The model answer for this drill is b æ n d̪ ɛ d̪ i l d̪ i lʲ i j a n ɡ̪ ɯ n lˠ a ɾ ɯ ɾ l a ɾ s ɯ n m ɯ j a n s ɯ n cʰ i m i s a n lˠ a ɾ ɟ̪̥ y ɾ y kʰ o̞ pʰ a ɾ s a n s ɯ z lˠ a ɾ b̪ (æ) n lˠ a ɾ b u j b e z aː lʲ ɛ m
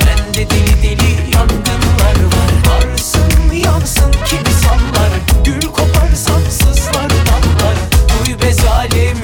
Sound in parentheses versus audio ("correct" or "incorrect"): incorrect